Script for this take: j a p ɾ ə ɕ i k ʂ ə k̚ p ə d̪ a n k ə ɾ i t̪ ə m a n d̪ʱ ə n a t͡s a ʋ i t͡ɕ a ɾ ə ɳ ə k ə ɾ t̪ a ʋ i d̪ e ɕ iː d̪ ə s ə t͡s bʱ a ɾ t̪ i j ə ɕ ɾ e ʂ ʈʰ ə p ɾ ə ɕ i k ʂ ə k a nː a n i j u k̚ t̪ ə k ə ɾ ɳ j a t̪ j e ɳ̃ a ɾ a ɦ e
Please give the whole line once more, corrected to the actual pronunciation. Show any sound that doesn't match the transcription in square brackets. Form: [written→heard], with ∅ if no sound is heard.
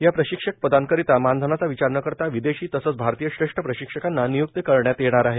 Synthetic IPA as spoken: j a p ɾ ə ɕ i k ʂ ə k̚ p ə d̪ a n k ə ɾ i t̪ [ə→a] m a n d̪ʱ ə n a t͡s a ʋ i t͡ɕ a ɾ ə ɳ ə k ə ɾ t̪ a ʋ i d̪ e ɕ iː [d̪→t̪] ə s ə t͡s bʱ a ɾ t̪ i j ə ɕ ɾ e ʂ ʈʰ ə p ɾ ə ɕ i k ʂ ə k a nː a n i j u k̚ t̪ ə k ə ɾ ɳ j a t̪ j e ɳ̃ a ɾ a ɦ e